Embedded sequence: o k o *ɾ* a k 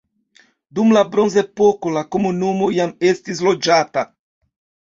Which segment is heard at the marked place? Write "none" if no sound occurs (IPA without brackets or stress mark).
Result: l